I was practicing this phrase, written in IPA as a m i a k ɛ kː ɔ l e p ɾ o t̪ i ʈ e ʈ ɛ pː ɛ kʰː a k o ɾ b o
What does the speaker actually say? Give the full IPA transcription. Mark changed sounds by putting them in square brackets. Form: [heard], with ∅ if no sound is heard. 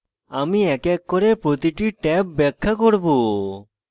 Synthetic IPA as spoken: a m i [ɛ] k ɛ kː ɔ [ɾ] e p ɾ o t̪ i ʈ [i] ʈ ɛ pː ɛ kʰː a k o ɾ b o

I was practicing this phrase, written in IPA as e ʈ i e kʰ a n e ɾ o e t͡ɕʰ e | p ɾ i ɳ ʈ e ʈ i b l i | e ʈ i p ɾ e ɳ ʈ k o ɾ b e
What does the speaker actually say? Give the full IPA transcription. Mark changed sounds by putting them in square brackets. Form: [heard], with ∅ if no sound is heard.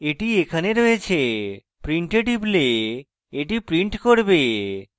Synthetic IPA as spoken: e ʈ i e kʰ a n e ɾ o e t͡ɕʰ e | p ɾ i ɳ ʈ e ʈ i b l [e] | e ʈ i p ɾ [i] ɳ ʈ k o ɾ b e

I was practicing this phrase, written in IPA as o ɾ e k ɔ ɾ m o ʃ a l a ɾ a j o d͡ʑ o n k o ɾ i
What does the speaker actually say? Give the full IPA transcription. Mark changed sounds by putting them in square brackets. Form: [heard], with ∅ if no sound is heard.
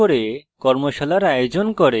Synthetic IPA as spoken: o ɾ e k ɔ ɾ m o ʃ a l a ɾ a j o d͡ʑ o n k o ɾ [e]

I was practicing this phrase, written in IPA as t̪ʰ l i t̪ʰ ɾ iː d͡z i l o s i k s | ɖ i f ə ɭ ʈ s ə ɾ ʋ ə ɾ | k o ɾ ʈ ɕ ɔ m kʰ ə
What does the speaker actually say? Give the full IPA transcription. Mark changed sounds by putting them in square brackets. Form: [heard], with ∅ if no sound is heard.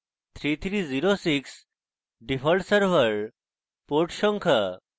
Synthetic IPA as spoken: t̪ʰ [ɾ] i t̪ʰ ɾ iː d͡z i [ɾ] o s i k s | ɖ i f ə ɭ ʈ s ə ɾ ʋ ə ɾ | [p] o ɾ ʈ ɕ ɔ [ŋ] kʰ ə

